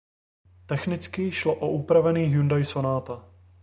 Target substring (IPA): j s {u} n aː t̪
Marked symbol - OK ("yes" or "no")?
no